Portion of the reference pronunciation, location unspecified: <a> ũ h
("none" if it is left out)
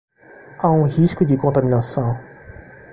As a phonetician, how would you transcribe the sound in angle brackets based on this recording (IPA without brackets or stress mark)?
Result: a